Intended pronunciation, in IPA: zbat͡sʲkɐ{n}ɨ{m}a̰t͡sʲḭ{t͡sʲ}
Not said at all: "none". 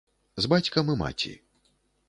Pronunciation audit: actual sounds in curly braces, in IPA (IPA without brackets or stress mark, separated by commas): m, m, none